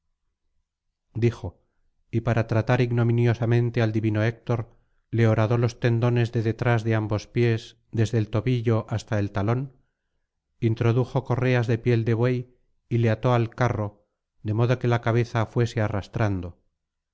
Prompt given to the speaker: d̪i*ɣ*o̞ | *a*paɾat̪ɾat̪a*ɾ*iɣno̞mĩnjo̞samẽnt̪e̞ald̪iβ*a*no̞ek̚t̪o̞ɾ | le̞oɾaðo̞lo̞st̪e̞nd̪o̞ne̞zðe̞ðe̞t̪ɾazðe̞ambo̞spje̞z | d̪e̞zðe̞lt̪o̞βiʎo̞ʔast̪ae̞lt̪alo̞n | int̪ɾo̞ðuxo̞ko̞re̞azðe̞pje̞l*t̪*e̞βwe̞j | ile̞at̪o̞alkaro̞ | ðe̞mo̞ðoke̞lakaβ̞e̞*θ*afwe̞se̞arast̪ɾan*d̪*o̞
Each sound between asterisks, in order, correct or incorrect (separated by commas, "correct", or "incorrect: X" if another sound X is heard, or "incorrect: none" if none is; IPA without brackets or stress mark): incorrect: x, incorrect: i, correct, incorrect: i, incorrect: d̪, correct, correct